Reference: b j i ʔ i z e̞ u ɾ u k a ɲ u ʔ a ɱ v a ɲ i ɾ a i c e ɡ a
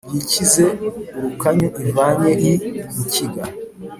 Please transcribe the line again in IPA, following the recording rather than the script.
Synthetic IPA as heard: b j i c i z e̞ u ɾ u k a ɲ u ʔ i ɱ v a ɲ e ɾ i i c i ɡ a